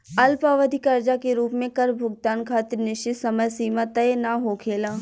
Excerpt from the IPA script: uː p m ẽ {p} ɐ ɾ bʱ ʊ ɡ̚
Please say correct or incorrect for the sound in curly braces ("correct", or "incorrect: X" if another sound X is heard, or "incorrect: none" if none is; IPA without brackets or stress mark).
incorrect: k